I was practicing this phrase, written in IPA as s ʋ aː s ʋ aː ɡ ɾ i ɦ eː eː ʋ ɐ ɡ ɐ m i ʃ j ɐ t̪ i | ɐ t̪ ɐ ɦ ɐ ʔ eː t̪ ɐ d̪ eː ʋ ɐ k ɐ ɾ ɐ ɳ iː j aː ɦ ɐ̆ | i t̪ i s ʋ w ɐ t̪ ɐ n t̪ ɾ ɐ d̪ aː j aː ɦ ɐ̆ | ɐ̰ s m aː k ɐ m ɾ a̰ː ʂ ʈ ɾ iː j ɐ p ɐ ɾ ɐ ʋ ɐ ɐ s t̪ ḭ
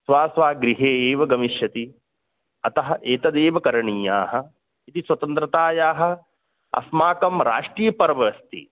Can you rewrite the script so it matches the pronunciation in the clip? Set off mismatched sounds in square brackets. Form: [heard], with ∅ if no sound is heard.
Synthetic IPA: s ʋ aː s ʋ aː ɡ ɾ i ɦ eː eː ʋ ɐ ɡ ɐ m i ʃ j ɐ t̪ i | ɐ t̪ ɐ ɦ ɐ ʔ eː t̪ ɐ d̪ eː ʋ ɐ k ɐ ɾ ɐ ɳ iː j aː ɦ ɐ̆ | i t̪ i s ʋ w ɐ t̪ ɐ n t̪ ɾ ɐ [t̪] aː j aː ɦ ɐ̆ | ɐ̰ s m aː k ɐ m ɾ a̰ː ʂ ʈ ɾ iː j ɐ p ɐ ɾ ɐ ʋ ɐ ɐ s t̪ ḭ